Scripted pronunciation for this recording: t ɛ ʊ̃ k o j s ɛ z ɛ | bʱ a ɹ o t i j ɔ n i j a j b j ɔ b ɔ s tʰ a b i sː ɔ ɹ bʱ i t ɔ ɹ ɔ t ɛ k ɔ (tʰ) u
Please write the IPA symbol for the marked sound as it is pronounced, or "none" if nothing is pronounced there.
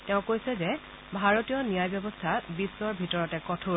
tʰ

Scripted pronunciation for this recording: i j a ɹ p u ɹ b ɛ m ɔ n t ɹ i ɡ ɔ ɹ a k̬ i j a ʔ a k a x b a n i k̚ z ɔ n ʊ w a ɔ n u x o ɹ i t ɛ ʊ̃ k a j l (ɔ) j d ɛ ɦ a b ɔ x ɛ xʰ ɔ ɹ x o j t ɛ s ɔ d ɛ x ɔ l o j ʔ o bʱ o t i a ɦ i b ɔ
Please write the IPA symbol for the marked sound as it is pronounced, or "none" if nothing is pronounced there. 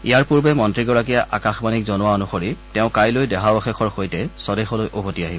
o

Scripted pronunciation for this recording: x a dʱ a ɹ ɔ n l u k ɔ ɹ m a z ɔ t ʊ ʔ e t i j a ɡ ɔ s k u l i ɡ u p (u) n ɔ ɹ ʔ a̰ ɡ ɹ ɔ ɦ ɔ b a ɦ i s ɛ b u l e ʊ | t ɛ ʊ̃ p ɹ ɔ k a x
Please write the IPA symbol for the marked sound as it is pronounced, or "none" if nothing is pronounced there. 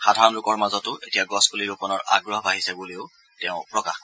ɔ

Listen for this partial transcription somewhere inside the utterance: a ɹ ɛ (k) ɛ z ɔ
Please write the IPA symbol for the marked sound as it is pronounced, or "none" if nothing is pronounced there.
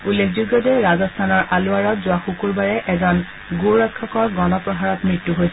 ʔ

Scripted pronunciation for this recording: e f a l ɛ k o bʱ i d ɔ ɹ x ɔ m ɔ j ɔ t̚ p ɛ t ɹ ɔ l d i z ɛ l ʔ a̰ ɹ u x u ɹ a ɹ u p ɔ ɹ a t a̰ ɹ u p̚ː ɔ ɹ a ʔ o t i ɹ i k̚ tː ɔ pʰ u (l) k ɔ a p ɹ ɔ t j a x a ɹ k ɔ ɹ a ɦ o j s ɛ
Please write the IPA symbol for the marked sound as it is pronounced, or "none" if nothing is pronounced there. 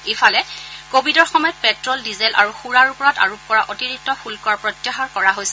l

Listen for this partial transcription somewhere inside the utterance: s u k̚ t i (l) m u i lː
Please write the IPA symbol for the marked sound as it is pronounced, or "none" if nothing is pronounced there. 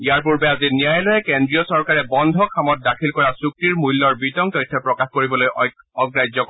ɹ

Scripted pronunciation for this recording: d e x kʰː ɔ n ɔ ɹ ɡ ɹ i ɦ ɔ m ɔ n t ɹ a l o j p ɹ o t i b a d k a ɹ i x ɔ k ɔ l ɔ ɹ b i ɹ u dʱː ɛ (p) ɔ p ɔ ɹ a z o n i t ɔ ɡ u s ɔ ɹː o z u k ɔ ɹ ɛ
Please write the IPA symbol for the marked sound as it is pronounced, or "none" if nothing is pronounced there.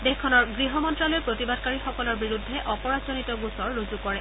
ʔ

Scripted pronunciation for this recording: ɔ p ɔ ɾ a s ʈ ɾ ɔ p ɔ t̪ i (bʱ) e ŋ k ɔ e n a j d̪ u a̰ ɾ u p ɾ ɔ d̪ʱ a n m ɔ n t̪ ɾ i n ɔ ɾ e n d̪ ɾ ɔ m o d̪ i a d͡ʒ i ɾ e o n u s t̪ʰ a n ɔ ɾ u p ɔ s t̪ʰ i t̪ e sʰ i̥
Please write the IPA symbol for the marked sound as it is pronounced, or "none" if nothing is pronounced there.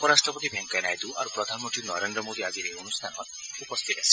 bʱ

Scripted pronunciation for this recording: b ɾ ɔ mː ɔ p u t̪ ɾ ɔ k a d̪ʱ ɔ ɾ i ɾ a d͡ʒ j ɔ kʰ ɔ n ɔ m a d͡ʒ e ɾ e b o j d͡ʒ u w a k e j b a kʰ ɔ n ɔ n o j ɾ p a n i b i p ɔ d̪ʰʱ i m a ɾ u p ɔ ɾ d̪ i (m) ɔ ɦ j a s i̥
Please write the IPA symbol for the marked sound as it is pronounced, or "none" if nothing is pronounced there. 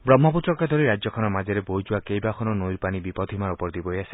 b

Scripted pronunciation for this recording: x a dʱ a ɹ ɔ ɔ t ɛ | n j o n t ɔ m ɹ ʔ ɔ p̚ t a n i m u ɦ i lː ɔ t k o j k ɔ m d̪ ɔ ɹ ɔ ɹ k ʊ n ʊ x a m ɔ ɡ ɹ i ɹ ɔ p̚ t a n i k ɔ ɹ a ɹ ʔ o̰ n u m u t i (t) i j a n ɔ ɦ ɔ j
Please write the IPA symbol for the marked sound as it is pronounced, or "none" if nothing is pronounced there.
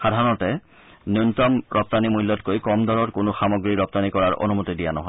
d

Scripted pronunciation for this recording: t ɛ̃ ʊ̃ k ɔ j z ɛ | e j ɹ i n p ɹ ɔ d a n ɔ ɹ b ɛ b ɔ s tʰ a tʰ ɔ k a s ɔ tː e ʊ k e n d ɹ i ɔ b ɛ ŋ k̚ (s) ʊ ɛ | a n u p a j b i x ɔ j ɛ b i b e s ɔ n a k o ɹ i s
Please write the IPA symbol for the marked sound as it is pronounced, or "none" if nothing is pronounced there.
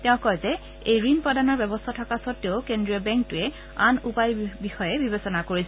t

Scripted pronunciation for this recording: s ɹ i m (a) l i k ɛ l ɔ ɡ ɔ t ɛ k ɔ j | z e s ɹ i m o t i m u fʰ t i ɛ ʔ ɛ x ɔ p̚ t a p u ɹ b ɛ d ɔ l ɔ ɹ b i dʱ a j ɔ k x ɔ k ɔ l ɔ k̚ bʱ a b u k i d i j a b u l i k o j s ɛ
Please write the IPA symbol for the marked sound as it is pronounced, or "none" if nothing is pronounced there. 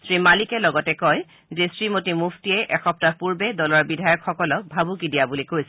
a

